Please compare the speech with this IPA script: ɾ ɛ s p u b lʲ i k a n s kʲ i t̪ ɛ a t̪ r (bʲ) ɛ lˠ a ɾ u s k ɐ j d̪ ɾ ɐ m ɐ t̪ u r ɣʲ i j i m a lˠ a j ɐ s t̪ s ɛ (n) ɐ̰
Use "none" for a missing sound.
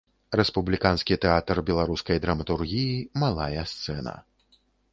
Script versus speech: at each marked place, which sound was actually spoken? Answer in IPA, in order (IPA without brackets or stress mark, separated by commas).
bʲ, n